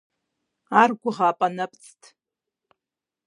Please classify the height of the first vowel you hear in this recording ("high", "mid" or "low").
low